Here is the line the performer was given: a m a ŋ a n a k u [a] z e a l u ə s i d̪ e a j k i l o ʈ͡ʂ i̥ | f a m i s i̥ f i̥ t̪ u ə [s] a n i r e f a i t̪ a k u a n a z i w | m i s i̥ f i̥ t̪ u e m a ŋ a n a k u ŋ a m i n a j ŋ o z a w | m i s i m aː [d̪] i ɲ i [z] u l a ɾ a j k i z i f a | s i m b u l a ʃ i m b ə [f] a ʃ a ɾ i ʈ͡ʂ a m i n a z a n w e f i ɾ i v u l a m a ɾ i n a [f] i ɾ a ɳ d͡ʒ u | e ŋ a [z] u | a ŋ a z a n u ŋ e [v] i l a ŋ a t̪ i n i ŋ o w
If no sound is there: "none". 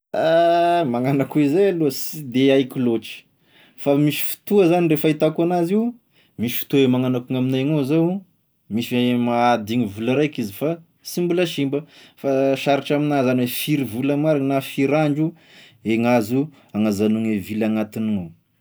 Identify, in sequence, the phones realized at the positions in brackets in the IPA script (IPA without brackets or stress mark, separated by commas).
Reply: i, z, d̪, v, f, f, z, v